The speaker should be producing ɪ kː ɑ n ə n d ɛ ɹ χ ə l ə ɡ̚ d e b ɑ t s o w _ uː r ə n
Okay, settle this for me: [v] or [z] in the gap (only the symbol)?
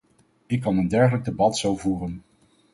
v